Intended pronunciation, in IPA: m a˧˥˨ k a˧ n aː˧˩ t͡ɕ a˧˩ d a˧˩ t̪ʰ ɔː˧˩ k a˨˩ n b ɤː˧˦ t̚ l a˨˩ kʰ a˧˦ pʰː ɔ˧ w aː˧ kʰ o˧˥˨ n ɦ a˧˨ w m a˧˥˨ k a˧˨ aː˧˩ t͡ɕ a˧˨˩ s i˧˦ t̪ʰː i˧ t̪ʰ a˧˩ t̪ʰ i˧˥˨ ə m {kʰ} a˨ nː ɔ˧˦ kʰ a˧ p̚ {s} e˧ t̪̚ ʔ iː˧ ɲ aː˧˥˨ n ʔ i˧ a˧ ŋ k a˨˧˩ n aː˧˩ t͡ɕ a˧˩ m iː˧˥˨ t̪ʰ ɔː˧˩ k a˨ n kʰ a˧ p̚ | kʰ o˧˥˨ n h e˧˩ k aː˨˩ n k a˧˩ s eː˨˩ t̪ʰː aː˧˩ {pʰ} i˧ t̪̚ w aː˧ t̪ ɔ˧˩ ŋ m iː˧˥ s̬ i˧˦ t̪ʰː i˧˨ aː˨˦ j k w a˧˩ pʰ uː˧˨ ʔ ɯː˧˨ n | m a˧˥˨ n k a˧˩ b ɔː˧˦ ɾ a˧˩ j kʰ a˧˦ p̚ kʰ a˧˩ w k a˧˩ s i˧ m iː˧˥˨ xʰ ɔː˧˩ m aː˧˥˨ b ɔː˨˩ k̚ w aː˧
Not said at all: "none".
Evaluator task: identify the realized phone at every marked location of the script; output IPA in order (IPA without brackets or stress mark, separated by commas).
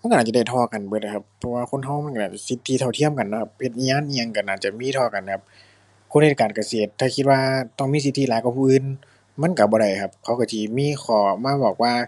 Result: k, h, kʰ